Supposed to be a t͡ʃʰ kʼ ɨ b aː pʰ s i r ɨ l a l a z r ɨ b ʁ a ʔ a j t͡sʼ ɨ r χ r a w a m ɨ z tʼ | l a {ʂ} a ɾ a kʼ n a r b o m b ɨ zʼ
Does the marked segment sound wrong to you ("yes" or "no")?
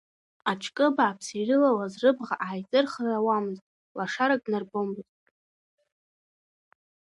no